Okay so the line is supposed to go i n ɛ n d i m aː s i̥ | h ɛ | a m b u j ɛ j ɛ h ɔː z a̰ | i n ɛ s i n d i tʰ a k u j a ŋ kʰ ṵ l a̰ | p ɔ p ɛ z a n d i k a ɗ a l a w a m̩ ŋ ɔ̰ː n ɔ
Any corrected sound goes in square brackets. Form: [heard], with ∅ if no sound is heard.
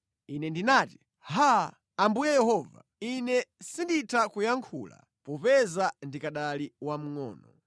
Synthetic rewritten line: i n ɛ n d i [n] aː [t] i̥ | h [a] | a m b u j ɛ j ɛ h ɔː [v] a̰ | i n ɛ s i n d i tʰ a k u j a ŋ kʰ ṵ l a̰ | p ɔ p ɛ z a n d i k a ɗ a l [i] w a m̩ ŋ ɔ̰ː n ɔ